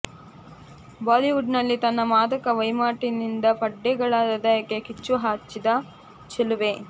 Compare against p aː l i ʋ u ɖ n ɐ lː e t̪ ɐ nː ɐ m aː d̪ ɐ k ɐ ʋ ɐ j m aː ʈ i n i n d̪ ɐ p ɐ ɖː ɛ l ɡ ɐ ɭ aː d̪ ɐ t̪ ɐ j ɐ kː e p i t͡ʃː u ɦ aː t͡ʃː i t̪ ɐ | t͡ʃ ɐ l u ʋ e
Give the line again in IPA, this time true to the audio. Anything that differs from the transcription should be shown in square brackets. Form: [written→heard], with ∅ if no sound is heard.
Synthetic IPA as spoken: [p→b] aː l i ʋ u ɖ n ɐ lː [e→i] t̪ ɐ nː ɐ m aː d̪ ɐ k ɐ ʋ ɐ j m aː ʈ i n i n d̪ ɐ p ɐ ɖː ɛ [l→∅] ɡ ɐ ɭ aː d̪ ɐ [t̪→d̪] ɐ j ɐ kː e [p→k] i t͡ʃː u ɦ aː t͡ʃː i [t̪→d̪] ɐ | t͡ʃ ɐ l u ʋ e

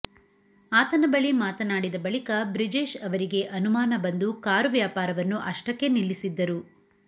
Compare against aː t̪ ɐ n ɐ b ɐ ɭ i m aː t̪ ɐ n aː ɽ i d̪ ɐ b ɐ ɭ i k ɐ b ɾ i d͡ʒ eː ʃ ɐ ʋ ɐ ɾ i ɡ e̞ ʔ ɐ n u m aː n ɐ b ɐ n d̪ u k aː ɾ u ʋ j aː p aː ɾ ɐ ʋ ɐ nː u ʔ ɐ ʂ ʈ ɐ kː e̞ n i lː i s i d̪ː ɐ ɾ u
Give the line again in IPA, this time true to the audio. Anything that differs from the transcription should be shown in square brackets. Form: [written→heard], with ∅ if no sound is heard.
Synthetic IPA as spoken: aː t̪ ɐ n ɐ b ɐ ɭ i m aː t̪ ɐ n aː ɽ i d̪ ɐ b ɐ ɭ i k ɐ b ɾ i d͡ʒ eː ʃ ɐ ʋ ɐ ɾ i ɡ e̞ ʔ ɐ n u m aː n ɐ b ɐ n d̪ u k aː ɾ u ʋ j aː p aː ɾ ɐ ʋ ɐ nː u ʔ ɐ ʂ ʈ ɐ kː e̞ n i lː i s i d̪ː ɐ ɾ u

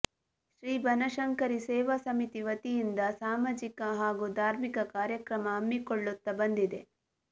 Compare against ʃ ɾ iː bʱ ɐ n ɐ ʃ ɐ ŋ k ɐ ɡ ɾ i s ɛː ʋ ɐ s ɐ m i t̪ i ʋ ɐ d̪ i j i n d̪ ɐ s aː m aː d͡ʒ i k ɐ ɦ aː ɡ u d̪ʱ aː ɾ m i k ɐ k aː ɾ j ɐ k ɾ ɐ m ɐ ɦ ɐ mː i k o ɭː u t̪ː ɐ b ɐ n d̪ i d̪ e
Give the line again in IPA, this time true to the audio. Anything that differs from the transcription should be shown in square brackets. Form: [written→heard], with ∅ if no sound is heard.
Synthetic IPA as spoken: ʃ ɾ iː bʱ ɐ n ɐ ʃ ɐ ŋ k ɐ [ɡ→∅] ɾ i s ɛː ʋ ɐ s ɐ m i t̪ i ʋ ɐ [d̪→t̪] i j i n d̪ ɐ s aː m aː d͡ʒ i k ɐ ɦ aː ɡ u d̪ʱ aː ɾ m i k ɐ k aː ɾ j ɐ k ɾ ɐ m ɐ ɦ ɐ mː i k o ɭː u t̪ː ɐ b ɐ n d̪ i d̪ e

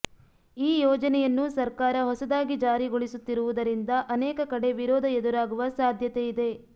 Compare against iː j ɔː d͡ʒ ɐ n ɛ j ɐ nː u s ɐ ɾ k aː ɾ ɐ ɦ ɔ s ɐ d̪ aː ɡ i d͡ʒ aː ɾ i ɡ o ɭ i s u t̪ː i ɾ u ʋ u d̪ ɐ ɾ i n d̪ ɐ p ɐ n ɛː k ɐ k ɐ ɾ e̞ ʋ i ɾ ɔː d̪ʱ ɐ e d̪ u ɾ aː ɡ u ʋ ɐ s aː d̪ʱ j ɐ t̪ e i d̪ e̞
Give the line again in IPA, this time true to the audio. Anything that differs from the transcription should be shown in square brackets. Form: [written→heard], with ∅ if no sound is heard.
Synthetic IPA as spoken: iː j ɔː d͡ʒ ɐ n ɛ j ɐ nː u s ɐ ɾ k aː ɾ ɐ ɦ ɔ s ɐ d̪ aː ɡ i d͡ʒ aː ɾ i ɡ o ɭ i s u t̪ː i ɾ u ʋ u d̪ ɐ ɾ i n d̪ ɐ [p→ʔ] ɐ n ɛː k ɐ k ɐ [ɾ→ɽ] e̞ ʋ i ɾ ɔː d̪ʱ ɐ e d̪ u ɾ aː ɡ u ʋ ɐ s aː d̪ʱ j ɐ t̪ e i d̪ e̞

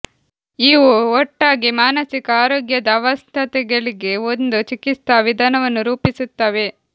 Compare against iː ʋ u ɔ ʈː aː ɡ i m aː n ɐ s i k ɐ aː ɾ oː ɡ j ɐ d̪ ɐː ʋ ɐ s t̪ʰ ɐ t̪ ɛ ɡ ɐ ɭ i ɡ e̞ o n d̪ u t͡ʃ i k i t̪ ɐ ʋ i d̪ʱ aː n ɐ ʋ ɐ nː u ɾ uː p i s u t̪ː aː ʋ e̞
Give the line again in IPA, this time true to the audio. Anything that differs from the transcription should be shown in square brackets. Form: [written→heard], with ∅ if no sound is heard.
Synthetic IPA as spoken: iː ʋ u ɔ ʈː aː ɡ i m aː n ɐ s i k ɐ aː ɾ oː ɡ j ɐ d̪ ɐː ʋ ɐ s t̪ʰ ɐ t̪ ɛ ɡ ɐ ɭ i ɡ e̞ o n d̪ u t͡ʃ i k i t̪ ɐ ʋ i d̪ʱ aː n ɐ ʋ ɐ nː u ɾ uː p i s u t̪ː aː ʋ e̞

